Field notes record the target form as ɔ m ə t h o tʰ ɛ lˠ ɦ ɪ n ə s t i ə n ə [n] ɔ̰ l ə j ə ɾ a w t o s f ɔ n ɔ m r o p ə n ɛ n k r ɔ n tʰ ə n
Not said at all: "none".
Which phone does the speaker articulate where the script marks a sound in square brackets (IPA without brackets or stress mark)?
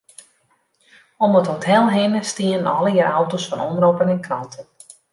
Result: n